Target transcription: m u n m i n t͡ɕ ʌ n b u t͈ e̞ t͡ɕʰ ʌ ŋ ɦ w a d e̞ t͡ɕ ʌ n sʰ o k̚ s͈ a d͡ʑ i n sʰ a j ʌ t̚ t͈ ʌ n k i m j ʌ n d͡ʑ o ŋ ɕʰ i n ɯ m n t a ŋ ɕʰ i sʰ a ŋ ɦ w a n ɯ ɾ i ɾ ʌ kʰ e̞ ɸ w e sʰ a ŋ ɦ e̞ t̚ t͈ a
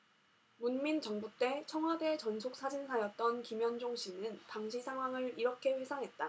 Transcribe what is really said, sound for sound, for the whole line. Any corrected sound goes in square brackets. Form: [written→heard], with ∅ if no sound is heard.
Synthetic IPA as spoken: m u n m i n t͡ɕ ʌ [n→ŋ] b u t͈ e̞ t͡ɕʰ ʌ ŋ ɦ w a d e̞ t͡ɕ ʌ n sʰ o k̚ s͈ a d͡ʑ i n sʰ a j ʌ t̚ t͈ ʌ n k i m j ʌ n d͡ʑ o ŋ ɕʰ i n ɯ [m→∅] n t a ŋ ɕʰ i sʰ a ŋ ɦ w a [n→ŋ] ɯ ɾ i ɾ ʌ kʰ e̞ ɸ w e sʰ a ŋ ɦ e̞ t̚ t͈ a